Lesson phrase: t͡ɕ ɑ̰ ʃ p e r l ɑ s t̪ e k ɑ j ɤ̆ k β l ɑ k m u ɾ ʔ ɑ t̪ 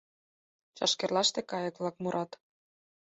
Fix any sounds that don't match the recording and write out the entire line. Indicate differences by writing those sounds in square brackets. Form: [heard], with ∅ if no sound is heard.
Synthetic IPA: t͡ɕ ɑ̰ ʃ [k] e r l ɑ [ʃ] t̪ e k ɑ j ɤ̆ k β l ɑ k m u ɾ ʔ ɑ t̪